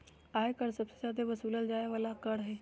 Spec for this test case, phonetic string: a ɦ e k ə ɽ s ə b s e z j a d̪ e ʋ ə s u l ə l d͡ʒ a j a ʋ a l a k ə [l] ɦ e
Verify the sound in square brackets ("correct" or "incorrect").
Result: incorrect